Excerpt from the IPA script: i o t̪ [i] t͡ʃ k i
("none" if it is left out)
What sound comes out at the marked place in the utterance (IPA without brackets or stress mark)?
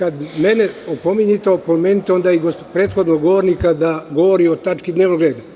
a